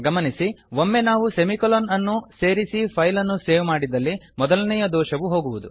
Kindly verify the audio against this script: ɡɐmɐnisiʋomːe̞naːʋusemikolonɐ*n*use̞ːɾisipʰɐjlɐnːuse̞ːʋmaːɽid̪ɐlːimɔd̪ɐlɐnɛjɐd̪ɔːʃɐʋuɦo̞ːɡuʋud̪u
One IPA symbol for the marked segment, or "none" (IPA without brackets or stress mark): nː